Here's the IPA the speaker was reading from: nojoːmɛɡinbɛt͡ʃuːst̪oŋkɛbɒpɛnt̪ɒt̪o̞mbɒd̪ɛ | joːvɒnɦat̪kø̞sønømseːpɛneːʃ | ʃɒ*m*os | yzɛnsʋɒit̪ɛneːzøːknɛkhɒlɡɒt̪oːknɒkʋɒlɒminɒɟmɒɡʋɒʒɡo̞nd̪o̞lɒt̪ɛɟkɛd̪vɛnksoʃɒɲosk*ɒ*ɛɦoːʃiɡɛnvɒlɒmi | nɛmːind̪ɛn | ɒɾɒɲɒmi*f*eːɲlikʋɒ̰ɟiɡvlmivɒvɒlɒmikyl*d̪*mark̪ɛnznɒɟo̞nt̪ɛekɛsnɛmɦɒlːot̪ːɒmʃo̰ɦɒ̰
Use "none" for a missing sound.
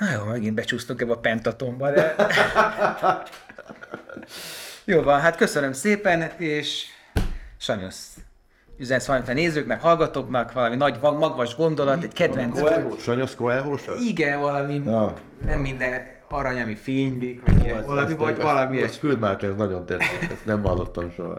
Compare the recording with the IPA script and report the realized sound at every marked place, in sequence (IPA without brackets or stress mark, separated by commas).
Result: ɲ, o, f, d̪